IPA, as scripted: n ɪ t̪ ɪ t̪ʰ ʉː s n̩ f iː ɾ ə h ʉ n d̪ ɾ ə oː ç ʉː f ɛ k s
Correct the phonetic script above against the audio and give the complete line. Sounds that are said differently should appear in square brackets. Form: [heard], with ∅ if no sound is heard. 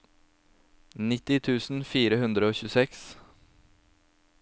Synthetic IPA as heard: n ɪ t̪ ɪ t̪ʰ ʉː s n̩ f iː ɾ ə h ʉ n d̪ ɾ ə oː ç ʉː [s] ɛ k s